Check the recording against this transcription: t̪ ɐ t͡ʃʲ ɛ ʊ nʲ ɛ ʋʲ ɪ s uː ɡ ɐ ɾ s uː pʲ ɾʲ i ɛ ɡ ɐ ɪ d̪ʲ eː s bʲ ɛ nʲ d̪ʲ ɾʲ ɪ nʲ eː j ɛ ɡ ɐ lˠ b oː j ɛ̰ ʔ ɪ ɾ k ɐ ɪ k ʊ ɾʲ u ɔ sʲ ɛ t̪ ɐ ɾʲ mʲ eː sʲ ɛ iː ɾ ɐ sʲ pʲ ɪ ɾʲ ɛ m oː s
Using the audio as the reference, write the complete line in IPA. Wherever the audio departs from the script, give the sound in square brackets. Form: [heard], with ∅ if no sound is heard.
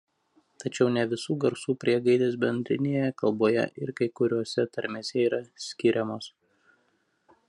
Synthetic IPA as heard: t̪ ɐ t͡ʃʲ ɛ ʊ nʲ ɛ ʋʲ ɪ s uː ɡ ɐ ɾ s uː pʲ ɾʲ i ɛ ɡ ɐ ɪ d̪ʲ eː s bʲ ɛ nʲ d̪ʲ ɾʲ ɪ nʲ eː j ɛ [k] ɐ lˠ b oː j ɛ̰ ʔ ɪ ɾ k ɐ ɪ k ʊ ɾʲ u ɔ sʲ ɛ t̪ ɐ ɾʲ mʲ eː sʲ ɛ iː ɾ ɐ sʲ [kʲ] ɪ ɾʲ ɛ m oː s

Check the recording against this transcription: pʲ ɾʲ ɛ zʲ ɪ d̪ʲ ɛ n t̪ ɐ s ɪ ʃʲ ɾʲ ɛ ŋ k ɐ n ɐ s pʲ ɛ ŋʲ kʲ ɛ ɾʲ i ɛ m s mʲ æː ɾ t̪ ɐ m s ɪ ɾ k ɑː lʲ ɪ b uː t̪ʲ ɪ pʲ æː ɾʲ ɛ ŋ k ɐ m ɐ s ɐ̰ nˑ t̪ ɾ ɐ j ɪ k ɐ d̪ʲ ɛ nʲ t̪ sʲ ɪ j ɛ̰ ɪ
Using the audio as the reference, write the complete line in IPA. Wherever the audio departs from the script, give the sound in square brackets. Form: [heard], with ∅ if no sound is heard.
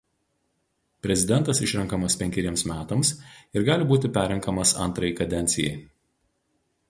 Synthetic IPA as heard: pʲ ɾʲ ɛ zʲ ɪ d̪ʲ ɛ n t̪ ɐ s ɪ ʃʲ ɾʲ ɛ ŋ k ɐ [m] ɐ s pʲ ɛ ŋʲ kʲ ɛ ɾʲ i ɛ m s mʲ æː [∅] t̪ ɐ m s ɪ ɾ [ɡ] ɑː lʲ ɪ b uː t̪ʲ ɪ pʲ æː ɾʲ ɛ ŋ k ɐ m ɐ s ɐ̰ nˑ t̪ ɾ ɐ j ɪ k ɐ d̪ʲ ɛ nʲ t̪ sʲ ɪ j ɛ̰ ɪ

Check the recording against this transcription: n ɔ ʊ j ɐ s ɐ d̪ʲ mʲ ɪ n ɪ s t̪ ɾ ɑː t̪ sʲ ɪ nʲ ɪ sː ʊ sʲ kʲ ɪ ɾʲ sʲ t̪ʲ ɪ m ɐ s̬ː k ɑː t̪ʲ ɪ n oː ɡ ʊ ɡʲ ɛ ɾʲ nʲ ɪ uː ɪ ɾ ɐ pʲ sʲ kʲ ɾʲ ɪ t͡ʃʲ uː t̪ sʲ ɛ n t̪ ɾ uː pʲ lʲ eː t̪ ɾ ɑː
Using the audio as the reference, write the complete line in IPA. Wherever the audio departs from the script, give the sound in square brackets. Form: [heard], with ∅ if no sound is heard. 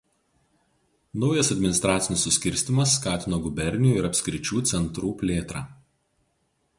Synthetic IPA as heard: n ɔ ʊ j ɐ s ɐ d̪ʲ mʲ ɪ n ɪ s t̪ ɾ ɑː t̪ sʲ ɪ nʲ ɪ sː ʊ sʲ kʲ ɪ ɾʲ sʲ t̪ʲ ɪ m ɐ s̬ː k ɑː t̪ʲ ɪ n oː ɡ ʊ [bʲ] ɛ ɾʲ nʲ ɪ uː ɪ ɾ ɐ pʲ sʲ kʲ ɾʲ ɪ t͡ʃʲ uː t̪ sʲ ɛ n t̪ ɾ uː pʲ lʲ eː t̪ ɾ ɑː

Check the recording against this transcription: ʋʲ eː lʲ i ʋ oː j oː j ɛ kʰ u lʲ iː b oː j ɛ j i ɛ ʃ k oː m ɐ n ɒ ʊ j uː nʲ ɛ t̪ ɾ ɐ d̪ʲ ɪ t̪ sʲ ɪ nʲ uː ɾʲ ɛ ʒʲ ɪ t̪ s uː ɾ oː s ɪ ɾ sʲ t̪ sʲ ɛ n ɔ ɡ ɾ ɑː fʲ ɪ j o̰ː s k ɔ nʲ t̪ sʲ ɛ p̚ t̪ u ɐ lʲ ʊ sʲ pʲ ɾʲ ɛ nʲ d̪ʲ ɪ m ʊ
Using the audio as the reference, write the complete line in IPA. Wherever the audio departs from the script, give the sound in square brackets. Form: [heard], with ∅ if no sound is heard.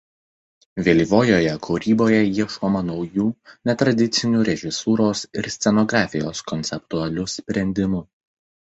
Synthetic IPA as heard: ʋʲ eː lʲ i ʋ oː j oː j ɛ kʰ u [ɾʲ] iː b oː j ɛ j i ɛ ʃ k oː m ɐ n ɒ ʊ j uː nʲ ɛ t̪ ɾ ɐ d̪ʲ ɪ t̪ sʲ ɪ nʲ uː ɾʲ ɛ ʒʲ ɪ [∅] s uː ɾ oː s ɪ ɾ sʲ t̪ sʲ ɛ n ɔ ɡ ɾ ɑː fʲ ɪ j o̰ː s k ɔ nʲ t̪ sʲ ɛ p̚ t̪ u ɐ lʲ ʊ sʲ pʲ ɾʲ ɛ nʲ d̪ʲ ɪ m ʊ

